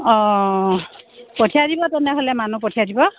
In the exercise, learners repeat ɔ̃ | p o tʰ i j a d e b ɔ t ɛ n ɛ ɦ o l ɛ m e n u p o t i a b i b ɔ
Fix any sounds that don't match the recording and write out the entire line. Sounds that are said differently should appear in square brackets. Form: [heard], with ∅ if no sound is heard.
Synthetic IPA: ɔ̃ | p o tʰ i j a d [i] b ɔ t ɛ n ɛ ɦ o l ɛ m [a] n u p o [tʰ] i a [d] i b ɔ